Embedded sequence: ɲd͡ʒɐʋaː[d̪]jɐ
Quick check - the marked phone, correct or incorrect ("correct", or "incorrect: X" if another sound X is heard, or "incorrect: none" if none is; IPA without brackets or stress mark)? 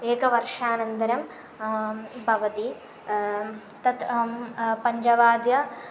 correct